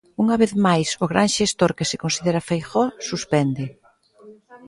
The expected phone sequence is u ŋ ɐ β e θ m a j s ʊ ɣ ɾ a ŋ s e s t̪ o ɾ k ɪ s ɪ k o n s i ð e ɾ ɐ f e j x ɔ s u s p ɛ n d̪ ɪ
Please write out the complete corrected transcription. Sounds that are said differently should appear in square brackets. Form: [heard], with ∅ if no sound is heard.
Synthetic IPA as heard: u ŋ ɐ β e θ m a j s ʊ ɣ ɾ a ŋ [ʃ] e s t̪ o ɾ k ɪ s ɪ k o n s i ð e ɾ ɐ f e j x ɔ s u s p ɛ n d̪ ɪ